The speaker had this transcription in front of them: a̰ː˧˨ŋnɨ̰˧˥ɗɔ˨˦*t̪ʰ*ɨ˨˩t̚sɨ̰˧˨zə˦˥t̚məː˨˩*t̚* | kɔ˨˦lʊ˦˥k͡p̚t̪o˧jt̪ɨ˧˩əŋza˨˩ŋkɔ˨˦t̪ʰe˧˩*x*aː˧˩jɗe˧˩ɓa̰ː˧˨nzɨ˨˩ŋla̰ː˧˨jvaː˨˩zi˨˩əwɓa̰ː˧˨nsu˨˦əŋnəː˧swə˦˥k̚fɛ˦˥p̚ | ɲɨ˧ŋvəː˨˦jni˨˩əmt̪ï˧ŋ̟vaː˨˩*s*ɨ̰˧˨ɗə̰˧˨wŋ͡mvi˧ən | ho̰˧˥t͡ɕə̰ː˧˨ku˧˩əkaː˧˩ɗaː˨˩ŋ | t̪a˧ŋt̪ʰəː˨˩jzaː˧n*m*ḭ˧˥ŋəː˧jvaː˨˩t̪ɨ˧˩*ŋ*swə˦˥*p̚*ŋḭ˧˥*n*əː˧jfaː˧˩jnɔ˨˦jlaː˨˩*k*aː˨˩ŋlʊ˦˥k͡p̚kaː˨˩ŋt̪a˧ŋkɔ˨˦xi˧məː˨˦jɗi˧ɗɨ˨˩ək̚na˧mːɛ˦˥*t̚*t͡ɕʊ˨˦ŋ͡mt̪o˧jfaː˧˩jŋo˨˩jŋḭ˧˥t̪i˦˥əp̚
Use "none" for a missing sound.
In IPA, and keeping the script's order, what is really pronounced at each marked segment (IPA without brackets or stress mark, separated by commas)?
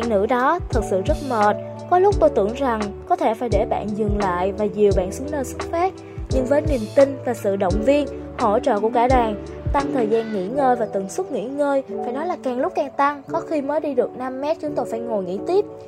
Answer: t̪ʰ, t̚, f, s, ŋ, ŋ, t̚, ŋ, k, t̚